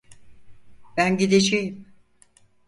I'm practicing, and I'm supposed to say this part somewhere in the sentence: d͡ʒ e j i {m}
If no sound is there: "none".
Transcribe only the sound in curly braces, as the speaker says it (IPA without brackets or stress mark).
m